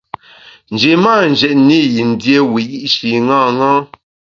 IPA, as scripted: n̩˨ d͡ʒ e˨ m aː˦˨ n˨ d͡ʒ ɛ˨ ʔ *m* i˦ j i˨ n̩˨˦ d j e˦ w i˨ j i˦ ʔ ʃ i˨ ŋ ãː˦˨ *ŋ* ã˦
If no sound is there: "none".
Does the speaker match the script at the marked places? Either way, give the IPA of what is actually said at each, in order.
n, ŋ

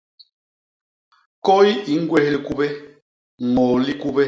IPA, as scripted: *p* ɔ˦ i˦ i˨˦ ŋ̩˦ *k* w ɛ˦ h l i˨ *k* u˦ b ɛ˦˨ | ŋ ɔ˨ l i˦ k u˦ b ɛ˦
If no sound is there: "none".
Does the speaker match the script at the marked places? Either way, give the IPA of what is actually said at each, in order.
k, ɡ, k

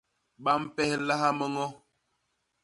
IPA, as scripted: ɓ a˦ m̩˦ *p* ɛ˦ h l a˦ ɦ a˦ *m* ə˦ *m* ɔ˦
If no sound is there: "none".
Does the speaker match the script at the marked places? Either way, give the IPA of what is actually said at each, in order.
p, m, ŋ

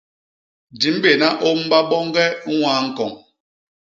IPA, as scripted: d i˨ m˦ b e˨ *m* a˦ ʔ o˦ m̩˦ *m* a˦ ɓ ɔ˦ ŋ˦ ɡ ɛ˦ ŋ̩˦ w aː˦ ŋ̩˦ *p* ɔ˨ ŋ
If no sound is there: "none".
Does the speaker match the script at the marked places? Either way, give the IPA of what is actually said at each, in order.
n, b, k

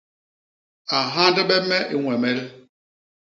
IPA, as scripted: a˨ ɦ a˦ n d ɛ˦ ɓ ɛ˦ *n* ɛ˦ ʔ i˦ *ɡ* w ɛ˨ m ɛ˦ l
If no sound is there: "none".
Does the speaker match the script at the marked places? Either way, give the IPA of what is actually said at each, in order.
m, ŋ

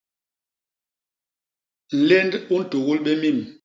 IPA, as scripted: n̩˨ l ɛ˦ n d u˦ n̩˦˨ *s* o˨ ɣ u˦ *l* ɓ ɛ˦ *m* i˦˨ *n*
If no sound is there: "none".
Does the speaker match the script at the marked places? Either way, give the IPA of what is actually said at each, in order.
t, l, m, m

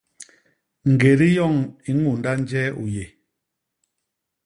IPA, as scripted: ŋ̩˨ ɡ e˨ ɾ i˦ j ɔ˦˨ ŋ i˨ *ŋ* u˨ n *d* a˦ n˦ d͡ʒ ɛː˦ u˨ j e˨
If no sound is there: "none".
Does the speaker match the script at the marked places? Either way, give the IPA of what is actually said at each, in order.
ŋ, d

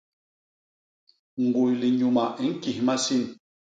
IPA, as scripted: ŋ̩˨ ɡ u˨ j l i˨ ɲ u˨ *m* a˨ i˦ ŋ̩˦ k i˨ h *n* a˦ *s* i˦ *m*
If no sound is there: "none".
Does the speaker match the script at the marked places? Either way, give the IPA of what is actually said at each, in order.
m, m, s, n

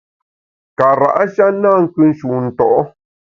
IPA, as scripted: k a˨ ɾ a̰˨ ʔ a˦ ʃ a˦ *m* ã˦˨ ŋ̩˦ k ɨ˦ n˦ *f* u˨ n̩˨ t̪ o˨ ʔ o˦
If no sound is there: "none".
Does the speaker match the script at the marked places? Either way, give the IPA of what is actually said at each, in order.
n, ʃ

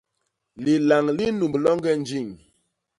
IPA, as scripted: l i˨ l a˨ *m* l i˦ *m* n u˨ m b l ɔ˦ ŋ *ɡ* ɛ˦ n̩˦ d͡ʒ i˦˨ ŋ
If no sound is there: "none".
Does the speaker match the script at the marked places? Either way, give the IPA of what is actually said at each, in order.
ŋ, none, ɡ

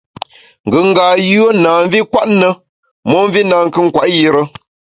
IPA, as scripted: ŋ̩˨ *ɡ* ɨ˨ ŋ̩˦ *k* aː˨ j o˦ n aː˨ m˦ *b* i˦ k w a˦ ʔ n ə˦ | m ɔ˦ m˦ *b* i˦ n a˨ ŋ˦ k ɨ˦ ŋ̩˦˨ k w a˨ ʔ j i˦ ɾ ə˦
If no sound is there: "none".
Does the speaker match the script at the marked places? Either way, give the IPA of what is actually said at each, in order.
ɡ, ɡ, v, v

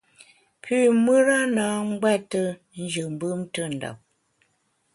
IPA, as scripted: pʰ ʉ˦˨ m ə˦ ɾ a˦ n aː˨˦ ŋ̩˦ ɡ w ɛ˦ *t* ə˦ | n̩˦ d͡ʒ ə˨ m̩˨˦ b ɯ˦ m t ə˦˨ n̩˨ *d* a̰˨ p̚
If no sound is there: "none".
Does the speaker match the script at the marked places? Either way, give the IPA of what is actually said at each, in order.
t, d

